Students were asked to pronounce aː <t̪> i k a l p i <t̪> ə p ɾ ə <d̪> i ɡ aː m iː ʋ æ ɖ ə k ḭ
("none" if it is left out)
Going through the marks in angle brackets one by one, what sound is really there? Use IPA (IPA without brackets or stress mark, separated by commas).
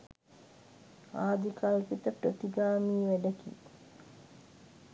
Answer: d̪, t̪, t̪